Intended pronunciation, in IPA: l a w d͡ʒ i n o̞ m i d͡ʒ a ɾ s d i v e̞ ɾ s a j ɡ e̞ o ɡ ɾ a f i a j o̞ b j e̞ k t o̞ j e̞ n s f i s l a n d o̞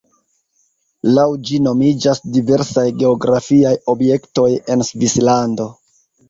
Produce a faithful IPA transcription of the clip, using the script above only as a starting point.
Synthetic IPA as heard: l a w d͡ʒ i n o̞ m i d͡ʒ a s d i v e̞ ɾ s a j ɡ e̞ o ɡ ɾ a f i a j o̞ b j e̞ k t o̞ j e̞ n s v i s l a n d o̞